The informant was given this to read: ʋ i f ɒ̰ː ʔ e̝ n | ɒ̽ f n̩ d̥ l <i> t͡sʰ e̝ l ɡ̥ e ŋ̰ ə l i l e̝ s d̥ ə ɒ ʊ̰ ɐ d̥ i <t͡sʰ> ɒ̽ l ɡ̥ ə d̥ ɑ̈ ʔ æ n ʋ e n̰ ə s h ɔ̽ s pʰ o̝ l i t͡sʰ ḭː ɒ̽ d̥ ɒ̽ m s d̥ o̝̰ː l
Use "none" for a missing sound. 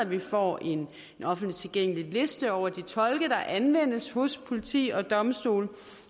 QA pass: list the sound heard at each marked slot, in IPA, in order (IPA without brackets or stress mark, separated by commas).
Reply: i, t͡sʰ